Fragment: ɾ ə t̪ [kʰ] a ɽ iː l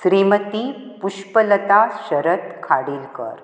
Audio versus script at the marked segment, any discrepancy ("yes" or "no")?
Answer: no